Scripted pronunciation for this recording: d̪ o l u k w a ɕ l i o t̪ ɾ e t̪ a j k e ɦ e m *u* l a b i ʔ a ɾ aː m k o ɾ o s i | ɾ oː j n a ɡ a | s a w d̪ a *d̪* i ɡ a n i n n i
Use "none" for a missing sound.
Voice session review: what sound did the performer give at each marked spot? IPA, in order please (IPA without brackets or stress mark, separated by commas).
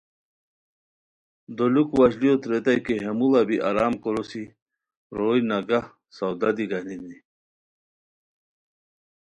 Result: u, d̪